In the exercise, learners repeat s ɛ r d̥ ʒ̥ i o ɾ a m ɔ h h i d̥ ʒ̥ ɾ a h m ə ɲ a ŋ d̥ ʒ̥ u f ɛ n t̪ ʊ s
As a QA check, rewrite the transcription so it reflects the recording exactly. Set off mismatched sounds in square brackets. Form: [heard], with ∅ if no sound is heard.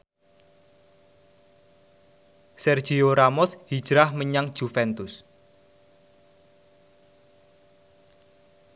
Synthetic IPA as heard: s ɛ r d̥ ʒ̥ i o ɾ a m ɔ [s] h i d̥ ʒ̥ ɾ a h m ə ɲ a ŋ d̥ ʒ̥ u f ɛ n t̪ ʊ s